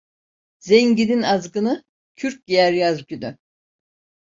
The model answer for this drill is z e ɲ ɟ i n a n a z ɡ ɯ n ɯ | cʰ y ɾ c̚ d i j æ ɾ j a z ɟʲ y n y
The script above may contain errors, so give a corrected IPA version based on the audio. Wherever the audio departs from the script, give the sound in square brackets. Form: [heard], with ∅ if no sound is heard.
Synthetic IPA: z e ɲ ɟ i n [i] n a z ɡ ɯ n ɯ | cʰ y ɾ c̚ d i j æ ɾ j a z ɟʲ y n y